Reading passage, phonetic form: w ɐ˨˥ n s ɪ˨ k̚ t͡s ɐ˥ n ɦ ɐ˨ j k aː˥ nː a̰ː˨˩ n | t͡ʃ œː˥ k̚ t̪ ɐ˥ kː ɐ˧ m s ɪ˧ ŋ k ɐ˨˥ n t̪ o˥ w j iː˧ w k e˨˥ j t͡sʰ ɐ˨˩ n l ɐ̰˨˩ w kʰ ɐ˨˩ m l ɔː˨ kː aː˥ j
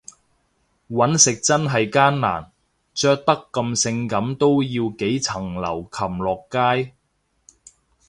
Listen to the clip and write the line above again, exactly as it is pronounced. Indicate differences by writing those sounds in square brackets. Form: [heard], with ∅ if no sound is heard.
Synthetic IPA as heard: w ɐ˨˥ n s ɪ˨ k̚ t͡s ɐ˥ n ɦ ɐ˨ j k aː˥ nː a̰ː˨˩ n | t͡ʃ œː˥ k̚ t̪ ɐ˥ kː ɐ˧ m s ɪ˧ ŋ k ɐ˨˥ [m] t̪ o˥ w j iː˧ w k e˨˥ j t͡sʰ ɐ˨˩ [ŋ] l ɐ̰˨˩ w kʰ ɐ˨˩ m l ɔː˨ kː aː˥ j

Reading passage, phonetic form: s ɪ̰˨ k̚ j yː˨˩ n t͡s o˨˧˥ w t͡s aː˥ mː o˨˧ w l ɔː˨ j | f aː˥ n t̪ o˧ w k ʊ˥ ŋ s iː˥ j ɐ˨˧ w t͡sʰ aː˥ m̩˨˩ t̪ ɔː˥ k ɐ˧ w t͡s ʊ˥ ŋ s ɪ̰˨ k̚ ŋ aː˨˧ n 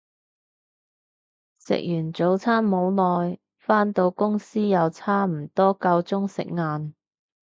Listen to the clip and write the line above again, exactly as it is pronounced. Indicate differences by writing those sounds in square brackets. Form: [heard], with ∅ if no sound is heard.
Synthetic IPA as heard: s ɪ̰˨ k̚ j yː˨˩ n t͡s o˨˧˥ w [t͡sʰ] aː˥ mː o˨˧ w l ɔː˨ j | f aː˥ n t̪ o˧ w k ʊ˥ ŋ s iː˥ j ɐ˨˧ w t͡sʰ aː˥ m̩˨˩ t̪ ɔː˥ k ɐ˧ w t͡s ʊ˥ ŋ s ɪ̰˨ k̚ ŋ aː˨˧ n

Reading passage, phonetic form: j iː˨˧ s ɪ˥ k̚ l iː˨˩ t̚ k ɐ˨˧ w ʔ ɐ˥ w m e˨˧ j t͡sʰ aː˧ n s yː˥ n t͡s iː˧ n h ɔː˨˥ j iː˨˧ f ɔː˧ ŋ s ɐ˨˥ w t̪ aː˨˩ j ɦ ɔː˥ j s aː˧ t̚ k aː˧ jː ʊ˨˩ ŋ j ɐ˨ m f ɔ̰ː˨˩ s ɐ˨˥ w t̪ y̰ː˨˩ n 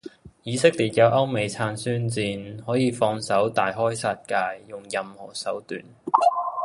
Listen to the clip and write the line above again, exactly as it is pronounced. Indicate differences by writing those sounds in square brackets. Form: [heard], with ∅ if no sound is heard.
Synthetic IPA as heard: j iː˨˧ s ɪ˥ k̚ l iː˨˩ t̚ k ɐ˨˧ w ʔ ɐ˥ w m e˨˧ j t͡sʰ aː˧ n s yː˥ n t͡s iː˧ n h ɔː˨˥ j iː˨˧ f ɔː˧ ŋ s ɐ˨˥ w t̪ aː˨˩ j ɦ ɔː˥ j s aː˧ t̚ k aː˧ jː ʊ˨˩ ŋ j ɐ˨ m [h] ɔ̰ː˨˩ s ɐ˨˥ w t̪ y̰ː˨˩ n

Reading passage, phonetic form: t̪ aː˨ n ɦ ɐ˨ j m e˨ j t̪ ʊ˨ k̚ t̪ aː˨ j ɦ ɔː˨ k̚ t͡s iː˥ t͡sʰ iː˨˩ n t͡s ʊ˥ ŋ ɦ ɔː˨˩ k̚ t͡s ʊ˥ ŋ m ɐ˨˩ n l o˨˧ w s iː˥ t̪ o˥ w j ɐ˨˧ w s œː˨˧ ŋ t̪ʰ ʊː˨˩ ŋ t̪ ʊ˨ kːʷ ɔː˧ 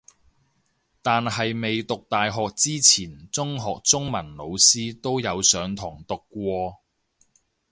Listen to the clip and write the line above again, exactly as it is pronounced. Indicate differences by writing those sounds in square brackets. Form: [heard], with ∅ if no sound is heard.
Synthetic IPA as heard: t̪ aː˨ n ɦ ɐ˨ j m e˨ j t̪ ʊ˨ k̚ t̪ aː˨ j ɦ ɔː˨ k̚ t͡s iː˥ t͡sʰ iː˨˩ n t͡s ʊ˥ ŋ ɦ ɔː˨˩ k̚ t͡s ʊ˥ ŋ m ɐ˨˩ n l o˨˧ w s iː˥ t̪ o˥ w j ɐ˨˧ w s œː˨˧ ŋ t̪ʰ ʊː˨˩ ŋ t̪ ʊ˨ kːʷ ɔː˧

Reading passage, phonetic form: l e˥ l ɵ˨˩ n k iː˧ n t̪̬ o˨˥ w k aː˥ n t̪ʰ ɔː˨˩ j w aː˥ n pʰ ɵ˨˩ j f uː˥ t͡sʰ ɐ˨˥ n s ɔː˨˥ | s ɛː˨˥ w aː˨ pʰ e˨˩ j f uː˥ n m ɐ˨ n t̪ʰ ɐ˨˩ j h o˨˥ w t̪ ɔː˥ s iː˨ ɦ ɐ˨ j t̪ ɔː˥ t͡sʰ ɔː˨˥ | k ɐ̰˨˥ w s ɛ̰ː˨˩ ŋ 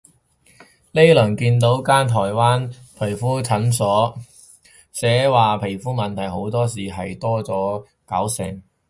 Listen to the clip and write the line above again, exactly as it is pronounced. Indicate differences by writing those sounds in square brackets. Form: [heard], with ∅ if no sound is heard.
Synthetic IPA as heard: l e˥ l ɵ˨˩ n k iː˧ n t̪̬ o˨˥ w k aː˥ n t̪ʰ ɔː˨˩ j w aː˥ n pʰ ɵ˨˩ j f uː˥ t͡sʰ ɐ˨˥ n s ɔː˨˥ | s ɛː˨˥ w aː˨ pʰ e˨˩ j f uː˥ [∅] m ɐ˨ n t̪ʰ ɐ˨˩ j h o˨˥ w t̪ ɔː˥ s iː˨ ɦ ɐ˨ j t̪ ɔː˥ [t͡s] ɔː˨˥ | k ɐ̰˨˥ w s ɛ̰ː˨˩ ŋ

